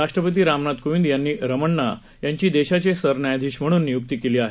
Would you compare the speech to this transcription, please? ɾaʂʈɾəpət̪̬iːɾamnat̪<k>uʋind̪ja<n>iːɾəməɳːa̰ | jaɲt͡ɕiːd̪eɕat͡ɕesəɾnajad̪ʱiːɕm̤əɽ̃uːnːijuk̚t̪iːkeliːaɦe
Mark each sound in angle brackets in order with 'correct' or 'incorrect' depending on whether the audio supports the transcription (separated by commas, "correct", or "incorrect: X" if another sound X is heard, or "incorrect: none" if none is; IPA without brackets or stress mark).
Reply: correct, incorrect: nː